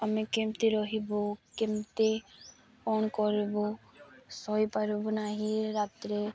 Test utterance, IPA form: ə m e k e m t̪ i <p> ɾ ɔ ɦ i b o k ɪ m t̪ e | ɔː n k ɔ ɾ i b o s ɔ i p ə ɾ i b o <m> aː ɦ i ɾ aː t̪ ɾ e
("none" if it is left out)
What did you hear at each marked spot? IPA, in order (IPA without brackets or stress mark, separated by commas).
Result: none, n